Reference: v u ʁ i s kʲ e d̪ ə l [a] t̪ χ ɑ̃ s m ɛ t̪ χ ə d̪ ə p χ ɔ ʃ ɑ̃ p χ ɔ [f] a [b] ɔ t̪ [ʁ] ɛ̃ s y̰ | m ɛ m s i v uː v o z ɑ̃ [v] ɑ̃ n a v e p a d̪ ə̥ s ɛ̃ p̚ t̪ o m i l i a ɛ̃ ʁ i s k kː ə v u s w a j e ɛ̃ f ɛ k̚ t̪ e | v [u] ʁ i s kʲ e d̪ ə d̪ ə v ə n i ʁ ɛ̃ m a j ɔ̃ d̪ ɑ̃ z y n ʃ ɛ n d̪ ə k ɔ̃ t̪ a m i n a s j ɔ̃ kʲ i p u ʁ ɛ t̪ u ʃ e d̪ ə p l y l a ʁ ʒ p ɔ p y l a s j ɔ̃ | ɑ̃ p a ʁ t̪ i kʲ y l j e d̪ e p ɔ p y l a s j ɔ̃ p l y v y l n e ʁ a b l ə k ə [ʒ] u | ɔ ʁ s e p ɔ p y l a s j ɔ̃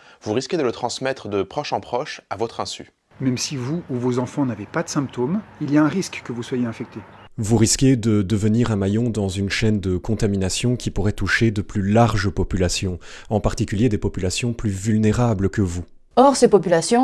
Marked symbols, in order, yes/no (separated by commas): no, no, no, no, no, yes, no